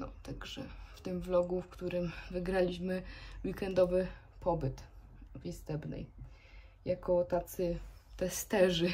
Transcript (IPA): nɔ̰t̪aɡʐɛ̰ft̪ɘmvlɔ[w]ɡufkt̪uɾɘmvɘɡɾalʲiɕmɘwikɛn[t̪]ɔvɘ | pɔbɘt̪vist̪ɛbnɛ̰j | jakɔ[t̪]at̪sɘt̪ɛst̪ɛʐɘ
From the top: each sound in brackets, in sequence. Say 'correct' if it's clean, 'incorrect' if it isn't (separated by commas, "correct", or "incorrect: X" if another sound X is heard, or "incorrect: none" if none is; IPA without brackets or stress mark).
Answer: incorrect: none, incorrect: d̪, correct